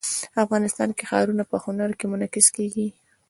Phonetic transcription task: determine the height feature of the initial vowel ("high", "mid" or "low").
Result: low